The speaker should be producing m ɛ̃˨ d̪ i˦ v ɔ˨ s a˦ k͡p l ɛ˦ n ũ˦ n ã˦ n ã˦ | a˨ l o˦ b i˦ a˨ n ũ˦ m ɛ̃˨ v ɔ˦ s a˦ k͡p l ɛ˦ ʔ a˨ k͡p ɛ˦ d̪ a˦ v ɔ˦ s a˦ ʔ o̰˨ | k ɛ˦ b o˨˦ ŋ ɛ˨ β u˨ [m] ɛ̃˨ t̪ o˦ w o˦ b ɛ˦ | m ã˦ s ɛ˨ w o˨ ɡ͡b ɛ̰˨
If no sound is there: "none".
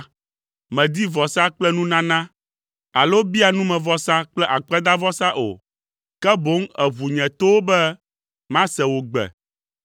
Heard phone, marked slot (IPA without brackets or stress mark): ɲ